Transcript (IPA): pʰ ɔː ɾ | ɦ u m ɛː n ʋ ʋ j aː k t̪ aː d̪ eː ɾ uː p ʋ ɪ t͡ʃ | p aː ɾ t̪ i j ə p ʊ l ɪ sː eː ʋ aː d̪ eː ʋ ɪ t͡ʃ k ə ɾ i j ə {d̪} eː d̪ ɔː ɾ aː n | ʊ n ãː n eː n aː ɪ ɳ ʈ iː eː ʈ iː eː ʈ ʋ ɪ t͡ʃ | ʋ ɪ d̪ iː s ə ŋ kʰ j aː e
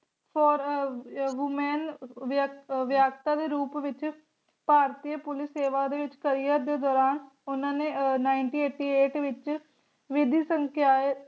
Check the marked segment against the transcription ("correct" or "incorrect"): correct